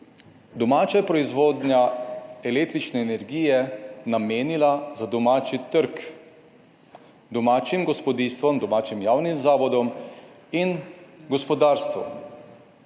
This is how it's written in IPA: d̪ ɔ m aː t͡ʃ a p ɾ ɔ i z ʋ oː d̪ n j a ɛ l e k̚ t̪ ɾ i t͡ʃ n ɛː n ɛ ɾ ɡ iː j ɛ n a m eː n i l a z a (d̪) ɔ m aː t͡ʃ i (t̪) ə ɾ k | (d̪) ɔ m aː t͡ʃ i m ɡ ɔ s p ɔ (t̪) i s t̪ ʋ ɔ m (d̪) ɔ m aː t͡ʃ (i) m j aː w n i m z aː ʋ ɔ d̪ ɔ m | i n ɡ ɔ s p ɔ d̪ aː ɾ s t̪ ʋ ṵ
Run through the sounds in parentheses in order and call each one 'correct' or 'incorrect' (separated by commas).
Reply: correct, correct, correct, incorrect, correct, correct